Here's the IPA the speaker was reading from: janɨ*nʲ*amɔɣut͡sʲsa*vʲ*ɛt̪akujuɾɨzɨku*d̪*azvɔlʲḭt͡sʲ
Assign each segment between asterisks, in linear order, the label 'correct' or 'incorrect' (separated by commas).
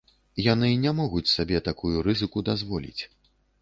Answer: correct, incorrect, correct